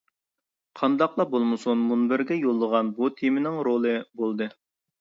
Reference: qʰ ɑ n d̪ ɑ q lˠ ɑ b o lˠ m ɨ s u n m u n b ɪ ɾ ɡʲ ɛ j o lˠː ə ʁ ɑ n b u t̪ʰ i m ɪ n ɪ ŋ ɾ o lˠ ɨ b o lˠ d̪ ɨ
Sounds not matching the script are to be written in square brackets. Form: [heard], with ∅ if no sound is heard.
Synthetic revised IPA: qʰ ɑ n d̪ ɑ q lˠ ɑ b o lˠ m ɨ s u n m u n b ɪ ɾ ɡʲ ɛ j o lˠː ə ʁ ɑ n b u t̪ʰ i m ɪ n ɪ ŋ ɾ o lˠ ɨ b o lˠ d̪ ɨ